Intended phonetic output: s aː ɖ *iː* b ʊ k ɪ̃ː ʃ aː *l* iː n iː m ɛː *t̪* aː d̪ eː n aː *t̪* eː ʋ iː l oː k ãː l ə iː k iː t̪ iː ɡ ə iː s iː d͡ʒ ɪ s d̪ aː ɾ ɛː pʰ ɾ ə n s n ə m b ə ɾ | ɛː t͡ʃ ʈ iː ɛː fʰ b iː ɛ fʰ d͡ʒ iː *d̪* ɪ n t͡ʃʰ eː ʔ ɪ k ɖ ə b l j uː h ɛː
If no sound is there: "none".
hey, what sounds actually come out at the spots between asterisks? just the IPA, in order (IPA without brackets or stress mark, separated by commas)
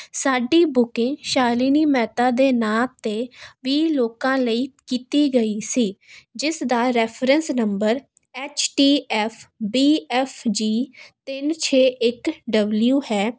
iː, l, t̪, t̪, t̪